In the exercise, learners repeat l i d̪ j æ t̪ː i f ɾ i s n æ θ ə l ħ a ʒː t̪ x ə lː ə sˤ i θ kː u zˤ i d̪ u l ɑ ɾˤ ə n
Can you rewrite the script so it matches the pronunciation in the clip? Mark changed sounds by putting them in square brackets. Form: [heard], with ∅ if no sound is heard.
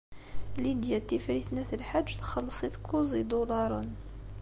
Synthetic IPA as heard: l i d̪ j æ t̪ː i f ɾ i [θ] n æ θ ə l ħ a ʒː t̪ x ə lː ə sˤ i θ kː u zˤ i d̪ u l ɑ ɾˤ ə n